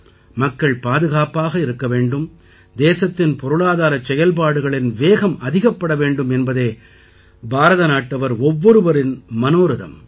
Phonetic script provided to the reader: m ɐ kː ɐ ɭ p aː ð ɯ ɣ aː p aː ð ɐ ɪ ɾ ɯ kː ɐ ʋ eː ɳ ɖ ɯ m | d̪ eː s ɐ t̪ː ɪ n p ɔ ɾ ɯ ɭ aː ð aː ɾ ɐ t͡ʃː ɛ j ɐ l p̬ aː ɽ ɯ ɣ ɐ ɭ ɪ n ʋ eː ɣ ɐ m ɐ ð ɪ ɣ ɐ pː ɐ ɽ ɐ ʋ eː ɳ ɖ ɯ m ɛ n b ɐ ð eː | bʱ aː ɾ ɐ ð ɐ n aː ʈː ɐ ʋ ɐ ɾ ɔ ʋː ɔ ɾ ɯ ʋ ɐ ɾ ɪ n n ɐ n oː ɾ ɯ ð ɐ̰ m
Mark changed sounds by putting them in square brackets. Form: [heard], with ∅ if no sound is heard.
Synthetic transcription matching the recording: m ɐ kː ɐ ɭ p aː ð ɯ ɣ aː p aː [ɣ] ɐ ɪ ɾ ɯ kː ɐ ʋ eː ɳ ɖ ɯ m | d̪ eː s ɐ t̪ː ɪ n p ɔ ɾ ɯ ɭ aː ð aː ɾ ɐ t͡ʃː ɛ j ɐ l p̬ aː ɽ ɯ ɣ ɐ ɭ ɪ n ʋ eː ɣ ɐ m ɐ ð ɪ ɣ ɐ pː ɐ ɽ ɐ ʋ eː ɳ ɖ ɯ m ɛ n b ɐ ð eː | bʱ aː ɾ ɐ ð ɐ n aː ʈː ɐ ʋ ɐ ɾ ɔ ʋː ɔ ɾ ɯ ʋ ɐ ɾ ɪ n [m] ɐ n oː ɾ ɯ ð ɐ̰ m